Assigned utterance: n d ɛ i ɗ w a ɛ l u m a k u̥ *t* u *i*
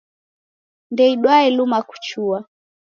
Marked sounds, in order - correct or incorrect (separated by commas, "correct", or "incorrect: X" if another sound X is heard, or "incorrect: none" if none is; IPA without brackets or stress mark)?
incorrect: t͡ʃ, incorrect: a